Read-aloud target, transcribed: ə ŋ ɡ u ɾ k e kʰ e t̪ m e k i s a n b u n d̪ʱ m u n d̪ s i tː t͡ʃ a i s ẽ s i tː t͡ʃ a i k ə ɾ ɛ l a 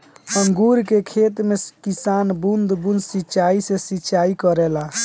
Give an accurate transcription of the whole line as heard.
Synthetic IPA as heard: ə ŋ ɡ u ɾ k e kʰ e t̪ m e k i s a n b u n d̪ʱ b u n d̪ s i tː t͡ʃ a i s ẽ s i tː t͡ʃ a i k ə ɾ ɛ l a

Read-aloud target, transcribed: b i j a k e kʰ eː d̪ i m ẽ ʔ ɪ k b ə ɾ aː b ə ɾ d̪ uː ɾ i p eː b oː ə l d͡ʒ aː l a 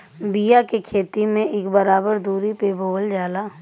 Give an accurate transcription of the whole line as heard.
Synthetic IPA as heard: b i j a k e kʰ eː t̪ i m ẽ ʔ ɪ k b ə ɾ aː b ə ɾ d̪ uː ɾ i p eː b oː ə l d͡ʒ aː l a

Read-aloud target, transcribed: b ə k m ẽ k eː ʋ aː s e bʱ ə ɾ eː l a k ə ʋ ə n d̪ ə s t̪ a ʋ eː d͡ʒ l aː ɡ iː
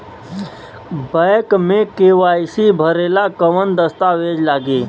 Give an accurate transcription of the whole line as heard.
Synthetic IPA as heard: b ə k m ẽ k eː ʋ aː s i bʱ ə ɾ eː l a k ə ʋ ə n d̪ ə s t̪ a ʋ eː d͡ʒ l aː ɡ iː

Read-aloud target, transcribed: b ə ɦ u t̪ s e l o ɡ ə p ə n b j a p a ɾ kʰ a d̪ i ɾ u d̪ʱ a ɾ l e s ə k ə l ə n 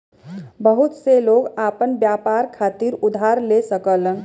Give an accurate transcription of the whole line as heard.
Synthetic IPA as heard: b ə ɦ u t̪ s e l o ɡ a p ə n b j a p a ɾ kʰ a t̪ i ɾ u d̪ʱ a ɾ l e s ə k ə l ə n

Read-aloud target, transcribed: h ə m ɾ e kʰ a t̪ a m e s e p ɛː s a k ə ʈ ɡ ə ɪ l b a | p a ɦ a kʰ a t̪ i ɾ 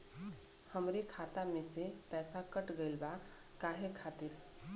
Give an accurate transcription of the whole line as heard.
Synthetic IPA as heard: h ə m ɾ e kʰ a t̪ a m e s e p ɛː s a k ə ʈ ɡ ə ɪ l b a | k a ɦ e kʰ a t̪ i ɾ

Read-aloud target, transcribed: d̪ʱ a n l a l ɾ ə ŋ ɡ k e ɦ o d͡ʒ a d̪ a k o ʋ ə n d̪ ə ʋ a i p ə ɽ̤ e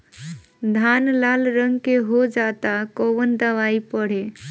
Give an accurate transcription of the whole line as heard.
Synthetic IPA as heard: d̪ʱ a n l a l ɾ ə ŋ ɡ k e ɦ o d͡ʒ a t̪ a k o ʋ ə n d̪ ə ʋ a i p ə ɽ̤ e

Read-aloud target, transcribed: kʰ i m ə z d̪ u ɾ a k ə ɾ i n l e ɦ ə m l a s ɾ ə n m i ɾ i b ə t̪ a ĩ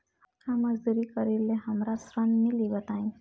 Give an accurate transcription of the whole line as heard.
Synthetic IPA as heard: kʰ a m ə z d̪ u ɾ i k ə ɾ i l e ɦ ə m ɾ a s ɾ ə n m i l i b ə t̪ a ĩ

